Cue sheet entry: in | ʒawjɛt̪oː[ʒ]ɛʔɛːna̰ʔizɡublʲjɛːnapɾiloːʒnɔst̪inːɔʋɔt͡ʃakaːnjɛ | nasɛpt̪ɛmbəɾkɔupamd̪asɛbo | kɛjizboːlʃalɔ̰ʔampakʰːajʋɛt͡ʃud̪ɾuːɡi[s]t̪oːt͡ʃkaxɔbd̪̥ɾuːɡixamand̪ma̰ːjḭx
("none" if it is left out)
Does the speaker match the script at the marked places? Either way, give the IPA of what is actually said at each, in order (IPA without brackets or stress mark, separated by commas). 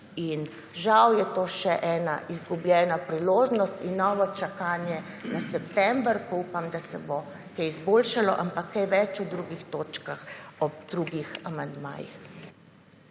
ʃ, x